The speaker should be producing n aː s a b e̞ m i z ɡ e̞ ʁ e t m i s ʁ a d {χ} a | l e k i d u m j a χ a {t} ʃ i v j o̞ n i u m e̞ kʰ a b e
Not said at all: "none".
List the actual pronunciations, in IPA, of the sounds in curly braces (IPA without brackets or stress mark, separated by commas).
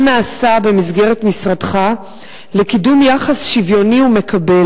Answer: χ, s